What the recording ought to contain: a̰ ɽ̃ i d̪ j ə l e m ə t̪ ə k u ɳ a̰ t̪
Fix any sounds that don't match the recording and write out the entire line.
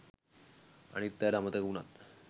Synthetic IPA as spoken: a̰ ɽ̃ i t̪ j a l a m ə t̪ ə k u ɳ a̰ t̪